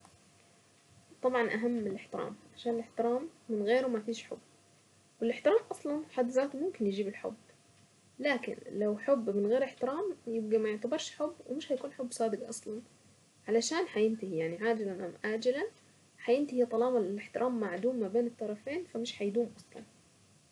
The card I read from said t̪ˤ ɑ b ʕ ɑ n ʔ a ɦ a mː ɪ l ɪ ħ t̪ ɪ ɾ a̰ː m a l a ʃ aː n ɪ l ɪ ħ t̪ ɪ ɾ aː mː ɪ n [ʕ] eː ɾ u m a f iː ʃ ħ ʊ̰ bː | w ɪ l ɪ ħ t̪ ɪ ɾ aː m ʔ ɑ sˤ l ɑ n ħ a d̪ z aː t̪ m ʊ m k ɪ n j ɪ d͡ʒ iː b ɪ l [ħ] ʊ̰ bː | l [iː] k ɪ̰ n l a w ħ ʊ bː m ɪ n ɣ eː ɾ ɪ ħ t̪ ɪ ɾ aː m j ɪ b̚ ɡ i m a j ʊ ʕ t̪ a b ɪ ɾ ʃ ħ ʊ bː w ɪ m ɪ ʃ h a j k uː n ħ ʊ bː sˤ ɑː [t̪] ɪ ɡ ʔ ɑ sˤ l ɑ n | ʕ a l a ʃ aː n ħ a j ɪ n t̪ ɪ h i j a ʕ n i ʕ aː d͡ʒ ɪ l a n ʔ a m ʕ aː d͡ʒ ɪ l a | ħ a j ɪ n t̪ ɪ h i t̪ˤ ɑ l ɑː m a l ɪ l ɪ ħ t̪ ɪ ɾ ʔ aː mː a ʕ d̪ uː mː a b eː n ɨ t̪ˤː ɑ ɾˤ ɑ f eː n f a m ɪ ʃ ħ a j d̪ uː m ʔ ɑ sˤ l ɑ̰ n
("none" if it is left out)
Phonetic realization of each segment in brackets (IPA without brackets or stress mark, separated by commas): ɣ, ħ, aː, d̪